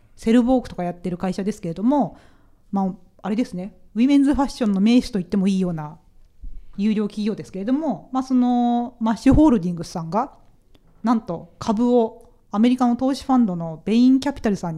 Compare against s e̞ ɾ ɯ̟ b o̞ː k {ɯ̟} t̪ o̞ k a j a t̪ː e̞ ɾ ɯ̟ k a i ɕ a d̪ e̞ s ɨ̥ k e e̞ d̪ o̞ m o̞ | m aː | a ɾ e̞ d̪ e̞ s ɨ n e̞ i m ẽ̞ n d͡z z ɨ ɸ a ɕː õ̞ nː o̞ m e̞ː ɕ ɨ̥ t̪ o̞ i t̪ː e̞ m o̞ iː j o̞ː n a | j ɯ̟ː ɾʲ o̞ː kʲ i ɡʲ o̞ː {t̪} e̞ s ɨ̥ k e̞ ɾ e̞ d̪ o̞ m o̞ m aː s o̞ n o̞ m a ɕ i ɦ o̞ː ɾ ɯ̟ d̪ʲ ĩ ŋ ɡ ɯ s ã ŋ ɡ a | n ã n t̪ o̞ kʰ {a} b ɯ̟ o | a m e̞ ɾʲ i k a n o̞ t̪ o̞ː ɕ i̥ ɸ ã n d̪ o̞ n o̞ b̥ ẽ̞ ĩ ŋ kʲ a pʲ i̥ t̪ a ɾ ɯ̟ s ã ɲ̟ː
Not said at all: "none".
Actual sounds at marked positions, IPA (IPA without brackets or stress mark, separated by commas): ɯ̟, d̪, a